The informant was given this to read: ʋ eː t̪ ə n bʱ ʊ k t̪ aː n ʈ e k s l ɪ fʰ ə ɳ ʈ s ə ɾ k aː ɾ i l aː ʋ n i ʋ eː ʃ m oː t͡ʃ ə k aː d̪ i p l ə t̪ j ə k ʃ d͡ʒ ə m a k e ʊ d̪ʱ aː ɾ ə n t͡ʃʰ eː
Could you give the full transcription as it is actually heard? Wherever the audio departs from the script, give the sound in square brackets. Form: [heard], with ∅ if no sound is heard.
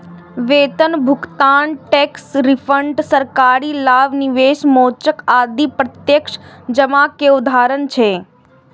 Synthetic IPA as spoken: ʋ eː t̪ ə n bʱ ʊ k t̪ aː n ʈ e k s [ɾ] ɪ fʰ ə ɳ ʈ s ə ɾ k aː ɾ i l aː ʋ n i ʋ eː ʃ m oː t͡ʃ ə k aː d̪ i p [ɾ] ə t̪ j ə k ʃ d͡ʒ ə m a k e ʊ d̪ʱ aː ɾ ə n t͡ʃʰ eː